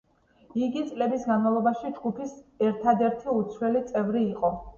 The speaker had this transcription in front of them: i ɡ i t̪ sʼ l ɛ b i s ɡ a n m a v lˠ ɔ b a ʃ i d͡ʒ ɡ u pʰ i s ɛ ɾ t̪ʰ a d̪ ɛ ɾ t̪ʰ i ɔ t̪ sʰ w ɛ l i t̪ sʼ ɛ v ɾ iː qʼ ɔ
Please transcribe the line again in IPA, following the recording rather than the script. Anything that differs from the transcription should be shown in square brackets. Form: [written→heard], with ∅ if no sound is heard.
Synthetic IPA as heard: i ɡ i t̪ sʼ l ɛ b i s ɡ a n m a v lˠ ɔ b a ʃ i d͡ʒ ɡ u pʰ i s ɛ ɾ t̪ʰ a d̪ ɛ ɾ t̪ʰ i [ɔ→u] t̪ sʰ w ɛ l i t̪ sʼ ɛ v ɾ iː qʼ ɔ